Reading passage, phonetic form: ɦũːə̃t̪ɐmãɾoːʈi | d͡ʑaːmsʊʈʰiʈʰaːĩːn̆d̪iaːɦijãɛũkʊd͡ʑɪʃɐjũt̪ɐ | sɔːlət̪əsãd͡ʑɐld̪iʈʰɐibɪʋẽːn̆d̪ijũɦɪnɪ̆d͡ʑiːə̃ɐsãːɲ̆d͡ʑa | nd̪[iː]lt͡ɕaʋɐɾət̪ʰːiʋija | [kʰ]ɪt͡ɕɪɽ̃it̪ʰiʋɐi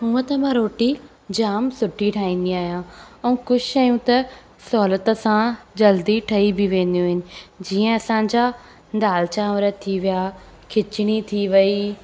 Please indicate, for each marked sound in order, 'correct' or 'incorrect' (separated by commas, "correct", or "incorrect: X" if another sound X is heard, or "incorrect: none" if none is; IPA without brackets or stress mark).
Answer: incorrect: aː, correct